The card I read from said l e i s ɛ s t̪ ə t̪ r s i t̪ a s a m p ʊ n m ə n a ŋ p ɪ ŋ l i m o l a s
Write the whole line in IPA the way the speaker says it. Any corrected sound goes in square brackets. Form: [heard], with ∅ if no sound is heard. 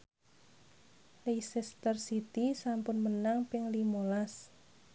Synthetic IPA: l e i s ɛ s t̪ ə [∅] r s i t̪ [i] s a m p ʊ n m ə n a ŋ p ɪ ŋ l i m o l a s